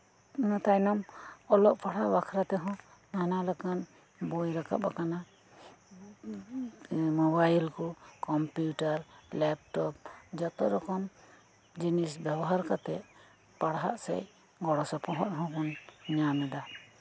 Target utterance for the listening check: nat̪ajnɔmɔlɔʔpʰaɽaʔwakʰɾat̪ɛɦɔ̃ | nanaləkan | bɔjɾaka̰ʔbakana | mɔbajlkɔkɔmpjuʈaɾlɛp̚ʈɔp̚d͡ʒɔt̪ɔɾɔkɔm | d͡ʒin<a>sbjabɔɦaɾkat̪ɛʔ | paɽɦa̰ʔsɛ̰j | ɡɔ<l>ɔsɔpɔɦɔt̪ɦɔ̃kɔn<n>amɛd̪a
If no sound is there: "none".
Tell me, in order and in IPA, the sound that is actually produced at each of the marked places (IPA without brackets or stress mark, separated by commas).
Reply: i, ɽ, ɲ